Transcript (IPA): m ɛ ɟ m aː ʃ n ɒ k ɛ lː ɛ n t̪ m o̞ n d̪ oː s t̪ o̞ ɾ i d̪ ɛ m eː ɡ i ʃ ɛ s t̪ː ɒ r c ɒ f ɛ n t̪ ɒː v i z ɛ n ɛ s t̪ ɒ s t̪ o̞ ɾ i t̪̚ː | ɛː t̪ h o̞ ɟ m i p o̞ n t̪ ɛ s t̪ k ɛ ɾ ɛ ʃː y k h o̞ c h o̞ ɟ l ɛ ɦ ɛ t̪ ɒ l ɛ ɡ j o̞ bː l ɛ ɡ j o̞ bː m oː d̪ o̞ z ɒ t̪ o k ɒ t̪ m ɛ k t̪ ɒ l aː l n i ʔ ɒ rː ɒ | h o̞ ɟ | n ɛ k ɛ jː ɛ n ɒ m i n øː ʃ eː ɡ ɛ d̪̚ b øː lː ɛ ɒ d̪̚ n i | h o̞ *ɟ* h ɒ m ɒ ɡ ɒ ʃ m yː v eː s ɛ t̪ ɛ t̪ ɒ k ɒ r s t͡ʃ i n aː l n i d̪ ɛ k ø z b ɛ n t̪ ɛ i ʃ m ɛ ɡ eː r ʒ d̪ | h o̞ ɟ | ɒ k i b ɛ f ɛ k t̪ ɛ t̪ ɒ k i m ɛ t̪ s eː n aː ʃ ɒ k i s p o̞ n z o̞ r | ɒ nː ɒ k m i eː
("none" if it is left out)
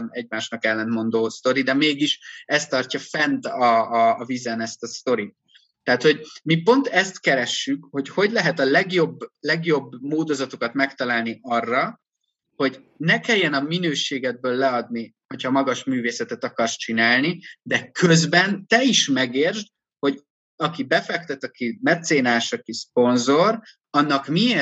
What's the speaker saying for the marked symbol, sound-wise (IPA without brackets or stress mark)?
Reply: c